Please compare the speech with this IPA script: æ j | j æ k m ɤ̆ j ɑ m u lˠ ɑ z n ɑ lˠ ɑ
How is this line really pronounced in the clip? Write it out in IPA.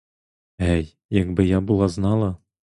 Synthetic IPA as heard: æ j | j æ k b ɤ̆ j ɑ b u lˠ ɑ z n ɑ lˠ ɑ